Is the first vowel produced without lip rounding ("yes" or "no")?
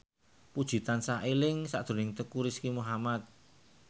no